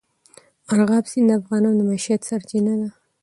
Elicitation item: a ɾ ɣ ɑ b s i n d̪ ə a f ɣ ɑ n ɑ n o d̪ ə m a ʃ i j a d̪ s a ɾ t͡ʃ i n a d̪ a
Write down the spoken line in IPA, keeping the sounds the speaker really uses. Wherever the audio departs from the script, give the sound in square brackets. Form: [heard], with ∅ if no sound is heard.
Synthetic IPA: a ɾ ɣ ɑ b s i n d̪ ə a f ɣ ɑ n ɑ n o d̪ ə m a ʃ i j a [t̪] s a ɾ t͡ʃ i n a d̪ a